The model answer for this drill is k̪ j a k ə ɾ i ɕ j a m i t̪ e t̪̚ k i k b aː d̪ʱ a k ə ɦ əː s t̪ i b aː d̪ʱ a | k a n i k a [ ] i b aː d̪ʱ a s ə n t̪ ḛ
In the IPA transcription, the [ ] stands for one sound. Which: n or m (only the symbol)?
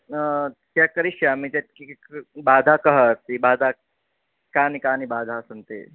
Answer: n